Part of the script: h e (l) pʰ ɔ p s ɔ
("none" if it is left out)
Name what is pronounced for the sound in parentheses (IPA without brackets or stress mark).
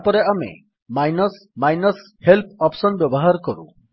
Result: l